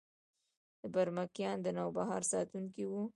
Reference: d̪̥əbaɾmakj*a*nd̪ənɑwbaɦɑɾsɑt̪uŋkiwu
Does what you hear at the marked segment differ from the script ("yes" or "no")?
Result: yes